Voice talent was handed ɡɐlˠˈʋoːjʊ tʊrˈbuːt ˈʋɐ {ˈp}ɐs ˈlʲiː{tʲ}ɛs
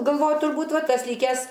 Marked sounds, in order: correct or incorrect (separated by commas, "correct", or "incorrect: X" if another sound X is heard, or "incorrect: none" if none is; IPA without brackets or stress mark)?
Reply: incorrect: t, incorrect: kʲ